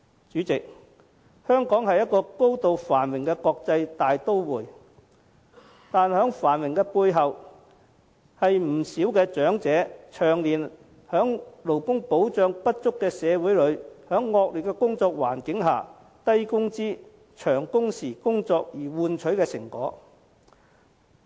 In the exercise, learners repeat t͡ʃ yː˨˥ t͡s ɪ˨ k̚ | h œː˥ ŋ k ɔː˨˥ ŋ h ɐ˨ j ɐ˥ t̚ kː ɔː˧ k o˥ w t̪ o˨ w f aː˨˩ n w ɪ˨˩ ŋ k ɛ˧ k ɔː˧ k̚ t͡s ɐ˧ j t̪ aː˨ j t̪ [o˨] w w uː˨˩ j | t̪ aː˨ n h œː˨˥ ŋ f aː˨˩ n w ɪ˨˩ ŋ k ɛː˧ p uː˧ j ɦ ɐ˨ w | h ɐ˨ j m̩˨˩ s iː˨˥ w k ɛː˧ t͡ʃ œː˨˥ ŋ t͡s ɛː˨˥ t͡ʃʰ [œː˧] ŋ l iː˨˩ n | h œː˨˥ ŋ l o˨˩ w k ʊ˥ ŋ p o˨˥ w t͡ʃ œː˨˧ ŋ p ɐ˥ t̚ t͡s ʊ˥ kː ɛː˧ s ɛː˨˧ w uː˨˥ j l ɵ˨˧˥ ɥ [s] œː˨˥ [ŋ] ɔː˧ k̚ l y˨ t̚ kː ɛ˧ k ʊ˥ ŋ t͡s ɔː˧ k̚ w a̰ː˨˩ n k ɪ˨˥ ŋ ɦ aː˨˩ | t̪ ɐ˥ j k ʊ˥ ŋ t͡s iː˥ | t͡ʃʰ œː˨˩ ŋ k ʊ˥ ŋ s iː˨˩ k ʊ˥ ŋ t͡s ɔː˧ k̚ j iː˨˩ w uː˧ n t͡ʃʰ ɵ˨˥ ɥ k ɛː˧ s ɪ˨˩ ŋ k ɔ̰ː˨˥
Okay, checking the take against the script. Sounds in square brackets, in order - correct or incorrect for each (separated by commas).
incorrect, incorrect, incorrect, incorrect